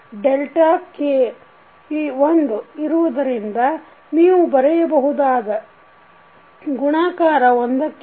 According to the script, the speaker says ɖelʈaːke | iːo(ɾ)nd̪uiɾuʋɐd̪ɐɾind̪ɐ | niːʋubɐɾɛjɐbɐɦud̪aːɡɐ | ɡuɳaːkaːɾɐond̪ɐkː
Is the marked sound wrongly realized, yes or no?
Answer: yes